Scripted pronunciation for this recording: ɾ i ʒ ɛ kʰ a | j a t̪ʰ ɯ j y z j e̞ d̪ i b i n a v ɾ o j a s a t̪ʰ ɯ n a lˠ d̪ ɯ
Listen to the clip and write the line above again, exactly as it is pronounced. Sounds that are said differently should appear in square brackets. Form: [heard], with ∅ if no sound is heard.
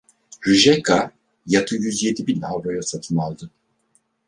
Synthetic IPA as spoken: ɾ [y] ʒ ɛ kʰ a | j a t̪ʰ ɯ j y z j e̞ d̪ i b i n a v ɾ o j a s a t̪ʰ ɯ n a lˠ d̪ ɯ